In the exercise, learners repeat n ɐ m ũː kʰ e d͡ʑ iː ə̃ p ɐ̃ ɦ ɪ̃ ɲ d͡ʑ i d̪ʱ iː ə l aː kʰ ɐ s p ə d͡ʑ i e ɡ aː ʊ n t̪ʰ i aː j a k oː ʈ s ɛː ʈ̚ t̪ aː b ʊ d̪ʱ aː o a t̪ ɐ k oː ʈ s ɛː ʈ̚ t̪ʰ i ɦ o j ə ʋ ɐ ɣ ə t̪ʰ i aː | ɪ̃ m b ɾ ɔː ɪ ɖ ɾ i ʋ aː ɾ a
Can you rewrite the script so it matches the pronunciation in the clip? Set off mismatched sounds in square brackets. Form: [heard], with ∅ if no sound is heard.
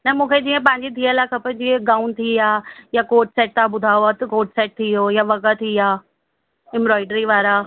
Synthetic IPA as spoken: n ɐ m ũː kʰ e d͡ʑ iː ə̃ p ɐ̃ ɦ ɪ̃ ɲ d͡ʑ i d̪ʱ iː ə l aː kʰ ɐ [∅] p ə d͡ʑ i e ɡ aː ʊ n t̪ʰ i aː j a k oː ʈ s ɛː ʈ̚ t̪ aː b ʊ d̪ʱ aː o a t̪ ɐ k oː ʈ s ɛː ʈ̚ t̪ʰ i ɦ o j [a] ʋ ɐ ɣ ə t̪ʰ i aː | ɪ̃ m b ɾ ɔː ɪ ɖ ɾ i ʋ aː ɾ a